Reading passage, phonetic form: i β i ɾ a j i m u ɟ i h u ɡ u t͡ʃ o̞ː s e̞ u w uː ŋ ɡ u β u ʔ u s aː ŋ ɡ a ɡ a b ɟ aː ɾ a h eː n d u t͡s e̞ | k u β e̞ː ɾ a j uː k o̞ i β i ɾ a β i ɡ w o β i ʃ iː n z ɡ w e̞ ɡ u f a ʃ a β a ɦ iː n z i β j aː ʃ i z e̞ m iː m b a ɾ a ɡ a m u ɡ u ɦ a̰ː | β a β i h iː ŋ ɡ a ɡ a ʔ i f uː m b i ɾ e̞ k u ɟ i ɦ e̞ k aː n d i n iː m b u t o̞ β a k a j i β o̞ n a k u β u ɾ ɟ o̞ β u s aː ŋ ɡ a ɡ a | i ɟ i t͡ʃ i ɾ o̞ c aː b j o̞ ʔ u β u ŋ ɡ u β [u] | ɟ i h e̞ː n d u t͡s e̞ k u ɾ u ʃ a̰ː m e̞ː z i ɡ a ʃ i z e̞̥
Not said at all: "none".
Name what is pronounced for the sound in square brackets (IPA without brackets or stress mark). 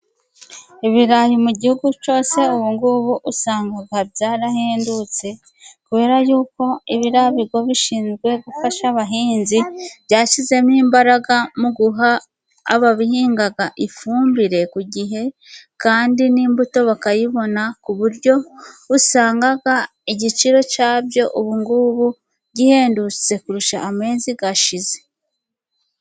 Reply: u